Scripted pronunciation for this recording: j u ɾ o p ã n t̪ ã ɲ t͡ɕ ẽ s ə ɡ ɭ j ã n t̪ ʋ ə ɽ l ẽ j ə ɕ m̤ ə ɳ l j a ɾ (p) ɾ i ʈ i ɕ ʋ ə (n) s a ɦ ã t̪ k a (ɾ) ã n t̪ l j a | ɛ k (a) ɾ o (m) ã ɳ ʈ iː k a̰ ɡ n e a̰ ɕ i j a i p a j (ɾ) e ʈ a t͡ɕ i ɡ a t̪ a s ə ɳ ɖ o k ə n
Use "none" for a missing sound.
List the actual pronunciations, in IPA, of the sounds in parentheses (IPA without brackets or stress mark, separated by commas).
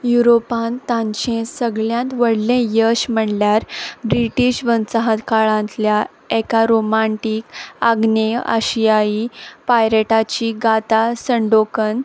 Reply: b, n, ɭ, a, m, ɾ